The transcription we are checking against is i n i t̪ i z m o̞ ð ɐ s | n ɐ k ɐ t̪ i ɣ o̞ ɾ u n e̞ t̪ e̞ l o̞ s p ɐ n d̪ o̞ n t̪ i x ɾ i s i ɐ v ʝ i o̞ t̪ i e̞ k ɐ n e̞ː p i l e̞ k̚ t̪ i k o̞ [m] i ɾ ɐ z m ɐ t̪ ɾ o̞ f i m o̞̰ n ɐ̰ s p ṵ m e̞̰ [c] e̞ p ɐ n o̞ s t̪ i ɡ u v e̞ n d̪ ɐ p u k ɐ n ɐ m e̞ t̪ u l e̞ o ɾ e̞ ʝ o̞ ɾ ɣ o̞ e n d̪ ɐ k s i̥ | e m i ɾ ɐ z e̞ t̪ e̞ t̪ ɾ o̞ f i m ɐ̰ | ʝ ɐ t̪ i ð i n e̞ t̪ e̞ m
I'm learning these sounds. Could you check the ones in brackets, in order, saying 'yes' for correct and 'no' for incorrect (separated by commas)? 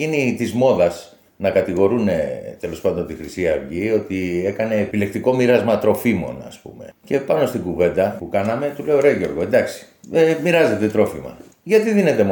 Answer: yes, yes